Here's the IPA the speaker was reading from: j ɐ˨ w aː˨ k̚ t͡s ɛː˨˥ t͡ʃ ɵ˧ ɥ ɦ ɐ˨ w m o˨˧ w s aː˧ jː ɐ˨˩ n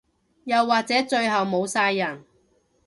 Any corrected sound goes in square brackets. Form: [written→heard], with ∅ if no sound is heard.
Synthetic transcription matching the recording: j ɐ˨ [w→wː] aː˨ k̚ t͡s ɛː˨˥ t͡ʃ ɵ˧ ɥ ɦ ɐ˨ w m o˨˧ w s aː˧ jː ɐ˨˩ n